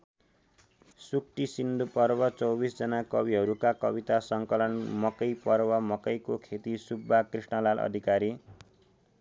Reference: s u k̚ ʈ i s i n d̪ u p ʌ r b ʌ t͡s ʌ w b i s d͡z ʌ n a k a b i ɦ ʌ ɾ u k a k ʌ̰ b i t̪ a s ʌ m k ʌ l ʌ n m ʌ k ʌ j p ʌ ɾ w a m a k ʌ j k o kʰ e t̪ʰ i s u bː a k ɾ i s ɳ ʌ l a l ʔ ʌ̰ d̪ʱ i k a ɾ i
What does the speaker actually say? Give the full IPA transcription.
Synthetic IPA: s u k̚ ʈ i s i n d̪ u p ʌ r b ʌ t͡s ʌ w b i s d͡z ʌ n a k ʌ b i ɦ ʌ ɾ u k a k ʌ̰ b i t̪ a s ʌ ŋ k ʌ l ʌ n m ʌ k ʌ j p ʌ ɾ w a m ʌ k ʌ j k o kʰ e t̪ i s u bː a k r i s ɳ ʌ l a l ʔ ʌ̰ d̪ʱ i k a ɾ i

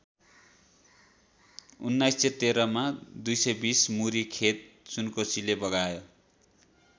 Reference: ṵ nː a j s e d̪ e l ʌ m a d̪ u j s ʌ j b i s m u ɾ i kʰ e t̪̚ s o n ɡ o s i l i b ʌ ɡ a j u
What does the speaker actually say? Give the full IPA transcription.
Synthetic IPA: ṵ nː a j s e t̪ e ɾ ʌ m a d̪ u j s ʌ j b i s m u ɾ i kʰ e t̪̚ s u n k o s i l e b ʌ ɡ a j o

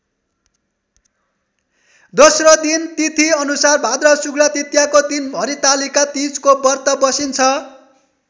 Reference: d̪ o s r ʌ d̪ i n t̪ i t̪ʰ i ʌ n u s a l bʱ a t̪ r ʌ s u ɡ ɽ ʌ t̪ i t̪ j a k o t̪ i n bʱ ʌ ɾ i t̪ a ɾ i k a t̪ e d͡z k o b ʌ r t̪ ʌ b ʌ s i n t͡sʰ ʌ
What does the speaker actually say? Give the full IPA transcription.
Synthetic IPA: d̪ o s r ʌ d̪ i n t̪ i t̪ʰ i ʌ n u s a r bʱ a d̪ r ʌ s u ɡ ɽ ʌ t̪ i t̪ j a k o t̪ i n bʱ ʌ ɾ i t̪ a l i k a t̪ i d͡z k o b ʌ r t̪ ʌ b ʌ s i n t͡sʰ ʌ

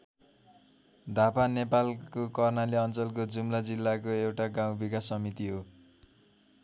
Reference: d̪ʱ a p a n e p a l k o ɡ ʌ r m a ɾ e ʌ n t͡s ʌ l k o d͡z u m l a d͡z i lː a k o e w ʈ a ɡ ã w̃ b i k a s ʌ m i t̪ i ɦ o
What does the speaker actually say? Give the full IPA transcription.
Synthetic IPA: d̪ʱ a p a n e p a l k o k ʌ r n a l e ʌ n t͡s ʌ l k o d͡z u m l a d͡z i lː a k o e w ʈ a ɡ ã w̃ b i k a s ʌ m i t̪ i ɦ o

